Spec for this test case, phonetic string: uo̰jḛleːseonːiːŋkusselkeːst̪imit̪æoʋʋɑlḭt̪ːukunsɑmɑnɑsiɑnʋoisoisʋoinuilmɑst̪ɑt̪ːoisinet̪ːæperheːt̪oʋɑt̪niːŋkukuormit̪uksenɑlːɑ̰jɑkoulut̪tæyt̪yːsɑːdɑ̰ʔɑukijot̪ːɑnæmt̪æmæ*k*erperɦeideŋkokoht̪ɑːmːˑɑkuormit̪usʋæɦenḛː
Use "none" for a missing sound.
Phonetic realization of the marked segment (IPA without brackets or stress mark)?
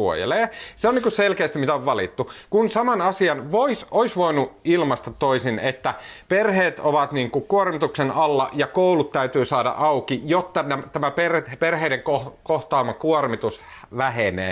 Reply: p